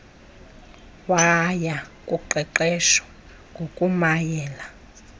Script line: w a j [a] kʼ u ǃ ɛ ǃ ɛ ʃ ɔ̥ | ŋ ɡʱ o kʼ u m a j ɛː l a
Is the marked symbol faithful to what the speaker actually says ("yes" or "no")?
yes